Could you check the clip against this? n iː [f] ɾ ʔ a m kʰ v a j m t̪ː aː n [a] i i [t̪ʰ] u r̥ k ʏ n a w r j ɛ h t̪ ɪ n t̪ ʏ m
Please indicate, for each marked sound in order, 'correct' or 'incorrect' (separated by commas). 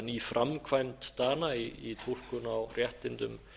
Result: correct, correct, correct